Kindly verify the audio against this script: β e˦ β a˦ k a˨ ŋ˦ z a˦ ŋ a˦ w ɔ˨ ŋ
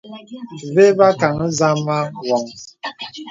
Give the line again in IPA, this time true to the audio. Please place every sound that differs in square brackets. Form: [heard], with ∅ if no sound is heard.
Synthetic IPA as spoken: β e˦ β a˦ k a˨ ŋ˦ z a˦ [m] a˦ w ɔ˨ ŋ